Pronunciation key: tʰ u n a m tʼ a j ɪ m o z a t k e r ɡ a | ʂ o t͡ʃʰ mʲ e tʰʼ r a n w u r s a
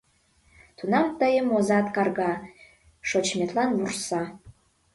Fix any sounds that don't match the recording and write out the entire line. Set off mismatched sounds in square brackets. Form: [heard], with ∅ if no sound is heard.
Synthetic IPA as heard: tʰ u n a m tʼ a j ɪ m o z a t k [a] r ɡ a | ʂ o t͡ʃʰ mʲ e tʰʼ [l] a n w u r s a